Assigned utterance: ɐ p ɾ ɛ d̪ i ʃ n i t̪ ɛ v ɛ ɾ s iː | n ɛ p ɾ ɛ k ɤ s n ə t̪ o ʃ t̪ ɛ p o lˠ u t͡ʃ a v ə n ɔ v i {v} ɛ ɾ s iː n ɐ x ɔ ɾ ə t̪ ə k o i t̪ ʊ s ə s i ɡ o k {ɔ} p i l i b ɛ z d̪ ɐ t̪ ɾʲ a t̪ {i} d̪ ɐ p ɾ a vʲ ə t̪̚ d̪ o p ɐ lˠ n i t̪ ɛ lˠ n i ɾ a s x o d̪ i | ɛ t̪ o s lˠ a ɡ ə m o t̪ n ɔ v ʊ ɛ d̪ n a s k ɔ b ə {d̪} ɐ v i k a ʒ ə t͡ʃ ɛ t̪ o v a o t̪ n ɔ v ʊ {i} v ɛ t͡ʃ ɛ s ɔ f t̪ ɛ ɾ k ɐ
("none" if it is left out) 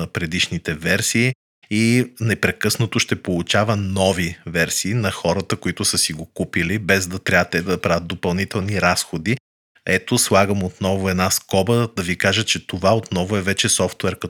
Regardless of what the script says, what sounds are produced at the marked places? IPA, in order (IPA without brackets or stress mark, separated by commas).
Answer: v, u, ɛ, d̪, ɛ